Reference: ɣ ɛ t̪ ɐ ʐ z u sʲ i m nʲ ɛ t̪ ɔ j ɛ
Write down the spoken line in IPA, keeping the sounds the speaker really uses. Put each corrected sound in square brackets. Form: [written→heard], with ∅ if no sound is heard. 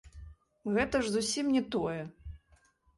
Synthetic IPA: ɣ ɛ t̪ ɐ ʐ z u sʲ i m nʲ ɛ t̪ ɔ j ɛ